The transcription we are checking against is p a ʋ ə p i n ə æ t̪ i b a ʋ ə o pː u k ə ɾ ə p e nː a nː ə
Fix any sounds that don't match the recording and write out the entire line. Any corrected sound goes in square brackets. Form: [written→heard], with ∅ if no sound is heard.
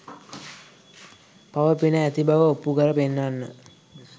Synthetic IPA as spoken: p a ʋ ə p i n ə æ t̪ i b a ʋ ə o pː u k ə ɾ ə p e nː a nː ə

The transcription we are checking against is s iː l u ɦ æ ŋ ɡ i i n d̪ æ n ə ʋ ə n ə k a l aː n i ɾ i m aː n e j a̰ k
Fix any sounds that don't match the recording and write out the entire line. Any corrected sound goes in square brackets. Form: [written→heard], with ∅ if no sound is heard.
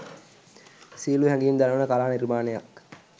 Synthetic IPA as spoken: s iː l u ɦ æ ŋ ɡ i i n d̪ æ n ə ʋ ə n ə k a l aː n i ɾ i m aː n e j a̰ k

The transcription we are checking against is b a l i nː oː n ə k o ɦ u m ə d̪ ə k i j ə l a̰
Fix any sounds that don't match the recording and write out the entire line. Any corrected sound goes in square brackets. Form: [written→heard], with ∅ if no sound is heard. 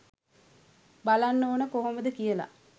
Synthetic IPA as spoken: b a l [i→a] nː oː n ə k o ɦ [u→o] m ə d̪ ə k i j ə l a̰

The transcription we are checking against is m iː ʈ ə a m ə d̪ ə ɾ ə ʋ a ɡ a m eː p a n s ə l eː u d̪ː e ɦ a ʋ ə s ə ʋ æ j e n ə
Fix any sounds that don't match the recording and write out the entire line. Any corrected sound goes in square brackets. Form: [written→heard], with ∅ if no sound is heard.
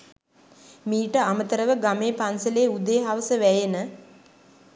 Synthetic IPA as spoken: m iː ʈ ə a m ə [d̪→t̪] ə ɾ ə ʋ [a→ə] ɡ a m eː p a n s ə l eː u [d̪ː→d̪] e ɦ a ʋ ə s ə ʋ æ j e n ə

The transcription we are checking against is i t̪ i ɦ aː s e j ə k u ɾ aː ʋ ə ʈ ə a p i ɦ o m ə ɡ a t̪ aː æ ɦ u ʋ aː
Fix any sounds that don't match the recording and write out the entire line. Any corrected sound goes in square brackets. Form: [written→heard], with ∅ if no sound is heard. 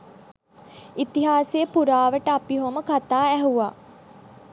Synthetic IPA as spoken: i t̪ i ɦ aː s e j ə [k→p] u ɾ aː ʋ ə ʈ ə a p i ɦ o m ə [ɡ→k] a t̪ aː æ ɦ u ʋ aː

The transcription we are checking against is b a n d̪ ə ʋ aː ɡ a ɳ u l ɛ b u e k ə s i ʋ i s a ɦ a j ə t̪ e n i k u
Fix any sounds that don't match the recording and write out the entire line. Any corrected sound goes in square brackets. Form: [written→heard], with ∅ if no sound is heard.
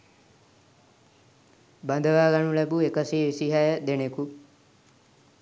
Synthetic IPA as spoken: b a n d̪ ə ʋ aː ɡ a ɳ u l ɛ b u e k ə s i ʋ i s [a→i] ɦ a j ə [t̪→d̪] e n [i→e] k u

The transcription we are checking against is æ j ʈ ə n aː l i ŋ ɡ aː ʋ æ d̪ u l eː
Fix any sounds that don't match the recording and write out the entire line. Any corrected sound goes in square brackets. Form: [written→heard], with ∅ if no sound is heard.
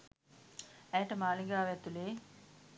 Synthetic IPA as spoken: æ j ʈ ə [n→m] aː l i ŋ ɡ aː ʋ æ [d̪→t̪] u l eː

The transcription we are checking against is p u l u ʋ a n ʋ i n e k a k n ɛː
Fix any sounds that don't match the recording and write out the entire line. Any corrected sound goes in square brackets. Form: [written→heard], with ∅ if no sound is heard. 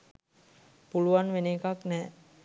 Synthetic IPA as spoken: p u l u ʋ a n ʋ [i→e] n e k a k n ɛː

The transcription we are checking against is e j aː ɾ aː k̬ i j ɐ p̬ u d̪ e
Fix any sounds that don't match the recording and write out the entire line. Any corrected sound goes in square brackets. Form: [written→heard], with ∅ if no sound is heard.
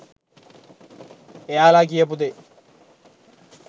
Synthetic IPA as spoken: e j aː [ɾ→l] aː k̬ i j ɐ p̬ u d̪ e

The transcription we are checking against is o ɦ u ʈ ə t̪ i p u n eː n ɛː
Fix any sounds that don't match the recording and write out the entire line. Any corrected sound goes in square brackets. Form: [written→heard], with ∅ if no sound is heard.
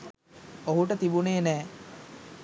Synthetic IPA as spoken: o ɦ u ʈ ə t̪ i [p→b] u n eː n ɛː

